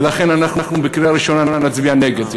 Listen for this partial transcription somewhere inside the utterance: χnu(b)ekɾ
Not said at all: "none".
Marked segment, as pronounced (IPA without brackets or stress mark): b